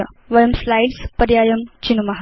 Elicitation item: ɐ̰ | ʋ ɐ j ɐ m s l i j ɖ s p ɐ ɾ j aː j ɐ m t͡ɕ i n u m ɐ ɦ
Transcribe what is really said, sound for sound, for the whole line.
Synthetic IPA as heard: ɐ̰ | ʋ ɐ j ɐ m s l a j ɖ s p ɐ ɾ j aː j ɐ m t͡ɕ i n u m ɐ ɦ